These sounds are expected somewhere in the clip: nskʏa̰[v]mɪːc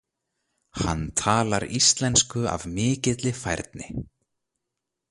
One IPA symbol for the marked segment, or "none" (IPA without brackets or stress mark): v